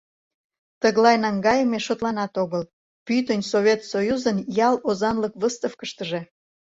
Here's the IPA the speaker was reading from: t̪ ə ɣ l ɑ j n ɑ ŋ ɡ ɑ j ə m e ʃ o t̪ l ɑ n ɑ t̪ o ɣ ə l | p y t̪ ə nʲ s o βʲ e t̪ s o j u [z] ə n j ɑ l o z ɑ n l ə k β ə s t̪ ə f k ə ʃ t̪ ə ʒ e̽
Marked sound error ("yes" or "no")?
no